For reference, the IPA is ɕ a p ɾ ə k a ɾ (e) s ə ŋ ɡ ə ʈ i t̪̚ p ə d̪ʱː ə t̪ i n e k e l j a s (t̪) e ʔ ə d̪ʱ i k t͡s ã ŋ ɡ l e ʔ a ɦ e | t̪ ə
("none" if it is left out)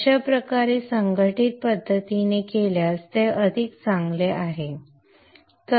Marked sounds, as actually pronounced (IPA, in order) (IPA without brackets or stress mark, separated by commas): e, t̪